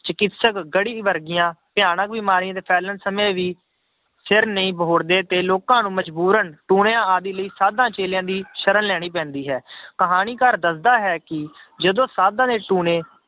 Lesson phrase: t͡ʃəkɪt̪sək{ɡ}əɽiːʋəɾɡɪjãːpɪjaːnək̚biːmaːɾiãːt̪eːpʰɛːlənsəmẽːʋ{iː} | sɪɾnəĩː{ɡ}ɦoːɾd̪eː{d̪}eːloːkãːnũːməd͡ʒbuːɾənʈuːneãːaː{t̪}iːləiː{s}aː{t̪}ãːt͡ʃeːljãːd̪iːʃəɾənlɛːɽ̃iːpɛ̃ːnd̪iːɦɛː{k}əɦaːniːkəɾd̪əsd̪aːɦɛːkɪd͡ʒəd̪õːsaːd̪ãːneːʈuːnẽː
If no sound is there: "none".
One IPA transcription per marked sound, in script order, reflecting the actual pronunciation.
ɡ, iː, b, t̪, d̪, s, d̪, k

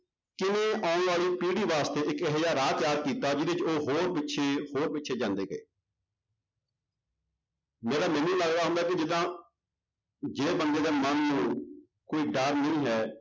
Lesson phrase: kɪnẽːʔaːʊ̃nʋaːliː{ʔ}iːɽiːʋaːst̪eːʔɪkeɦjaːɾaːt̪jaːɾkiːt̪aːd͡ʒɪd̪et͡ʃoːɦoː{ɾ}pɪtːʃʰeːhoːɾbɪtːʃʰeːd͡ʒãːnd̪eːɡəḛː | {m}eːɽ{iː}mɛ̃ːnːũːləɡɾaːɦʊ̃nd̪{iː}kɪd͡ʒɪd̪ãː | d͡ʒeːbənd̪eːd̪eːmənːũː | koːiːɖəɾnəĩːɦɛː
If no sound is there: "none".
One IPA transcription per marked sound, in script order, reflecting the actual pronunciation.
p, ɾ, m, aː, aː

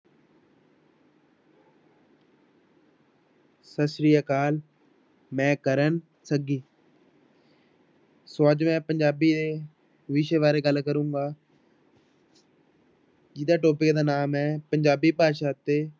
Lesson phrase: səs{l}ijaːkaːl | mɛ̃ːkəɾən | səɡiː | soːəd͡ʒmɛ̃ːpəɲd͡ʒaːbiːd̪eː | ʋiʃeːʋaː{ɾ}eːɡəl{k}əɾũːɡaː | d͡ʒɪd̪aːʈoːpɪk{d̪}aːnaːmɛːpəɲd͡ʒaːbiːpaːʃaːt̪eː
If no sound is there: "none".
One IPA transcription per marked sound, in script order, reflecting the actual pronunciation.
ɾ, ɾ, k, d̪

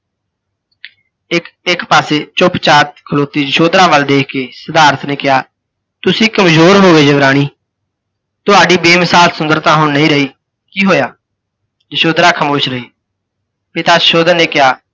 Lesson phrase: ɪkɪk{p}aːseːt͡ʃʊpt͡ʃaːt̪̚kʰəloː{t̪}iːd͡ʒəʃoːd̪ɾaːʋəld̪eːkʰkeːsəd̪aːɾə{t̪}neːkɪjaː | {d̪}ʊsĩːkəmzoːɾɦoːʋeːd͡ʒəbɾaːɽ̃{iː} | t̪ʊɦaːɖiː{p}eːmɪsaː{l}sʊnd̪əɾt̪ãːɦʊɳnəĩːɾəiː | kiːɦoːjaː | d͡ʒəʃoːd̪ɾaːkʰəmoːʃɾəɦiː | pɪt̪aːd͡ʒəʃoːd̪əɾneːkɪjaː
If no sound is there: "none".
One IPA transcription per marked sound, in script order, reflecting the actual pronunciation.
p, t̪, t̪, t̪, iː, b, l

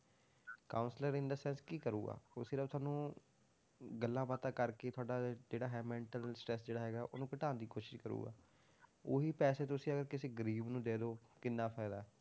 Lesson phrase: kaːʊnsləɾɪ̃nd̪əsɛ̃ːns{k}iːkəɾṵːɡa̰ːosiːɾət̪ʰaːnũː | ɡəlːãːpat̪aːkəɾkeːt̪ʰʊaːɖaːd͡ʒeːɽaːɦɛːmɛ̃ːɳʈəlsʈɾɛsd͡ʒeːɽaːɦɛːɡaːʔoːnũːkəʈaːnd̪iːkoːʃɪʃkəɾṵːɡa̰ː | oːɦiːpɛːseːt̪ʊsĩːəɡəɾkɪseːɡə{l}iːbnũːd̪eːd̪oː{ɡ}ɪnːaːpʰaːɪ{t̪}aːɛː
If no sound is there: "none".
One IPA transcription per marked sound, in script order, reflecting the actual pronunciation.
k, ɾ, k, d̪

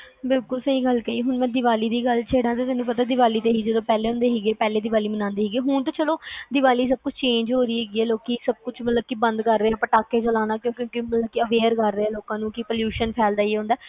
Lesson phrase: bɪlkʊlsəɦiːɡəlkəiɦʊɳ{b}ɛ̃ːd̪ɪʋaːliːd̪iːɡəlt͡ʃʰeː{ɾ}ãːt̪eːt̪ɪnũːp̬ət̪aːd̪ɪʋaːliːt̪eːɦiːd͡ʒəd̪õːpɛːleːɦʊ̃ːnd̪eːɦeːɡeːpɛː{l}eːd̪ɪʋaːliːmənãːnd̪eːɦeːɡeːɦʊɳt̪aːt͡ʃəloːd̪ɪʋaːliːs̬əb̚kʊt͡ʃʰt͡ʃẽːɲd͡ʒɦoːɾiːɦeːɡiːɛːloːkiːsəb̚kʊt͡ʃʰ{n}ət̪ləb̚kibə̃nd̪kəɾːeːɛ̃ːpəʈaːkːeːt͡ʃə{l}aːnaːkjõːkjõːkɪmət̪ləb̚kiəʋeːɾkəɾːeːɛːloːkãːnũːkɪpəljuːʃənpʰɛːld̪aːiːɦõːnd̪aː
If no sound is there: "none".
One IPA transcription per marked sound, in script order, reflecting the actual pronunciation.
m, ɽ, l, m, l

